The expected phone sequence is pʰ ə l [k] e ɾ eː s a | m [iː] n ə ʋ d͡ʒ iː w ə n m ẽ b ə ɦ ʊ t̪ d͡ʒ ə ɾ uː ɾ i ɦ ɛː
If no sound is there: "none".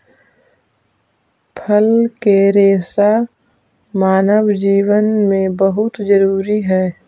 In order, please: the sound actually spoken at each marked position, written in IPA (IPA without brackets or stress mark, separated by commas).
k, aː